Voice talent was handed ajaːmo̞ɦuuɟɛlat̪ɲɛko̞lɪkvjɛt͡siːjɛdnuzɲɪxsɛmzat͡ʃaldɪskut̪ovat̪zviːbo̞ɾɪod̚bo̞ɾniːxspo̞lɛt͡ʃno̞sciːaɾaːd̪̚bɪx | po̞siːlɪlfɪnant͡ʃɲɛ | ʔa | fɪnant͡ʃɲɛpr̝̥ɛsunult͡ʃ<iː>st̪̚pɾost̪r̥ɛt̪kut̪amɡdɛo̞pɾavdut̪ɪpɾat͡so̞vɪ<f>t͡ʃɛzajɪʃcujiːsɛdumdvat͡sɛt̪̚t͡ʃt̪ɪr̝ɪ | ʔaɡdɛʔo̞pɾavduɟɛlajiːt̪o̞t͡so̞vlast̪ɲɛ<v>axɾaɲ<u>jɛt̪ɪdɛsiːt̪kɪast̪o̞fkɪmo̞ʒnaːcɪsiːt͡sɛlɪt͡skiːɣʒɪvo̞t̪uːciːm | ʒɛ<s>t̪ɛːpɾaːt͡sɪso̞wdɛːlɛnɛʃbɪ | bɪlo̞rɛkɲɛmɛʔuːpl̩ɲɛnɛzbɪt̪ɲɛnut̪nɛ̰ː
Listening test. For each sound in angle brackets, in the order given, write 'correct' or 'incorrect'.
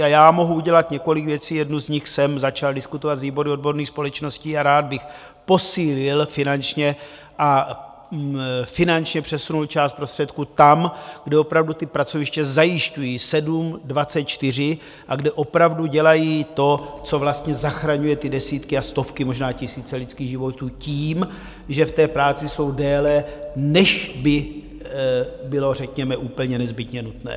incorrect: aː, incorrect: ʃ, incorrect: z, correct, incorrect: f

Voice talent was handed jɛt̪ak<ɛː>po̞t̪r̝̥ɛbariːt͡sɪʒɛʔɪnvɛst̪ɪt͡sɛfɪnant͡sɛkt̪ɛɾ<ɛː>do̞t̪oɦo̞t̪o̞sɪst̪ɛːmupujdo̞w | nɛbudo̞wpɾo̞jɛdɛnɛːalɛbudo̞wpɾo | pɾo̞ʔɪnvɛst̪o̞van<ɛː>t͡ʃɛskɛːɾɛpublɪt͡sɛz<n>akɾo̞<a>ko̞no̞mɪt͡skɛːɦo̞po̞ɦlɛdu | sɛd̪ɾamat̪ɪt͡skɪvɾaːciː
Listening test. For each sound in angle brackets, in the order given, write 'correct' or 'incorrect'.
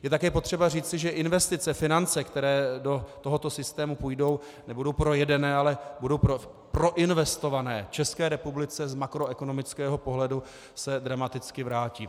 correct, correct, correct, incorrect: m, incorrect: ɛ

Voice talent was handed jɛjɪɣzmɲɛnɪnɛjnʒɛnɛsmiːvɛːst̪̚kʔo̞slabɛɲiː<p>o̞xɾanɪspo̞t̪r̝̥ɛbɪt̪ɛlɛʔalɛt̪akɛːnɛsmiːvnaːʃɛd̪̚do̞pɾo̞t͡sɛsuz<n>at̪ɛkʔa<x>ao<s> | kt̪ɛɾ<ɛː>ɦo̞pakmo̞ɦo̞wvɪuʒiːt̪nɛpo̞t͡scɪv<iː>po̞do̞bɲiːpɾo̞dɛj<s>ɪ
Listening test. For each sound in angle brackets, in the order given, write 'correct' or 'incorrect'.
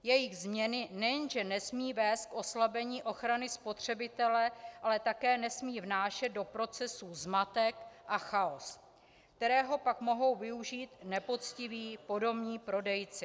incorrect: ʔ, incorrect: m, correct, correct, correct, correct, incorrect: t͡s

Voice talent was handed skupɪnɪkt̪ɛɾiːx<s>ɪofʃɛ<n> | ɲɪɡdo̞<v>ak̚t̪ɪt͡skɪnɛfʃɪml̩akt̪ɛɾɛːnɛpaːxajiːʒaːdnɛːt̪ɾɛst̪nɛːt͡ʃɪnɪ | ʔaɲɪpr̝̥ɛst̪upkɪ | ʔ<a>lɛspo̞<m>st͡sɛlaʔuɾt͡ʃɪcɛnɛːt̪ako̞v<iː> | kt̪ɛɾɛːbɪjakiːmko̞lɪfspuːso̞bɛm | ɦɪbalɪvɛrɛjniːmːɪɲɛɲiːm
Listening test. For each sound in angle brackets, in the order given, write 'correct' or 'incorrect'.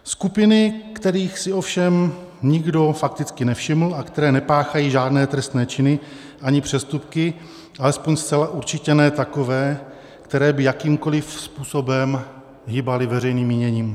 correct, incorrect: m, incorrect: f, correct, incorrect: ɲ, incorrect: ɛː

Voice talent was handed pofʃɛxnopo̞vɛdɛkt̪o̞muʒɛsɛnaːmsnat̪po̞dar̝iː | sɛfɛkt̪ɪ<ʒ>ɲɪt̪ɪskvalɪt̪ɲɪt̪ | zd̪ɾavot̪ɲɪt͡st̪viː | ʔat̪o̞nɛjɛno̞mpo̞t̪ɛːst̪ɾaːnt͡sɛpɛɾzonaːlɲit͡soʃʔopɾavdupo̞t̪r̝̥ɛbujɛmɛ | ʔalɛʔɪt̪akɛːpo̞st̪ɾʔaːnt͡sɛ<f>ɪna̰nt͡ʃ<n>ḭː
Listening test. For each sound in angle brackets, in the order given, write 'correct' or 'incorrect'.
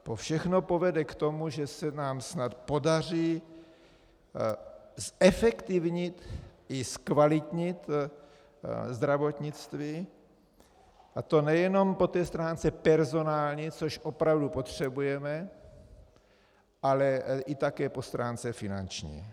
incorrect: v, correct, incorrect: ɲ

